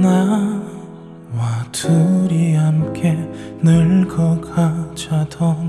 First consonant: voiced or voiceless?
voiced